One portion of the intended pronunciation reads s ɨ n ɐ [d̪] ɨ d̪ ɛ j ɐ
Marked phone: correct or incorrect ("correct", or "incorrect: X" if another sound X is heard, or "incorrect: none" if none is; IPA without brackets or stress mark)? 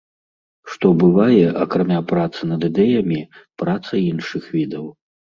correct